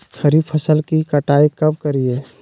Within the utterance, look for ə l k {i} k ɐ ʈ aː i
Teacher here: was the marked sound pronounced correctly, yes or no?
yes